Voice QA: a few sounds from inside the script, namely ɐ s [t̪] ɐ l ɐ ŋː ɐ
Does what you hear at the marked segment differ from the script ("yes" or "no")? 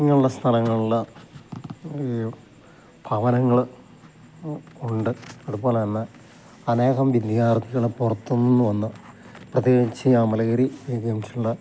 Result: yes